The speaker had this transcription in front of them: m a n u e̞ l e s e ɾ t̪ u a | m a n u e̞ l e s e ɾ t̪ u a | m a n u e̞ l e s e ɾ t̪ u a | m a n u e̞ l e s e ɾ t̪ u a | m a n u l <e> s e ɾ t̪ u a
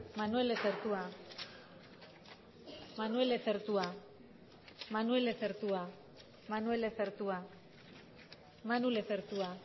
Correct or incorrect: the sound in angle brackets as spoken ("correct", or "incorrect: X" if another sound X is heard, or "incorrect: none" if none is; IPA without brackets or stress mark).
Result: correct